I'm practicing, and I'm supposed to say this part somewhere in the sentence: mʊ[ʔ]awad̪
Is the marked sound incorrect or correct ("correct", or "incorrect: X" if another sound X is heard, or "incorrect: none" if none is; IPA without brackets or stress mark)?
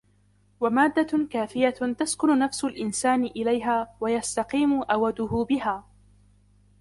correct